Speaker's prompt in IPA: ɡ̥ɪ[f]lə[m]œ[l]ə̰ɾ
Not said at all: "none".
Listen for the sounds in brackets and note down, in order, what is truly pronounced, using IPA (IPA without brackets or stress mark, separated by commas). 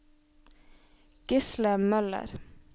s, m, l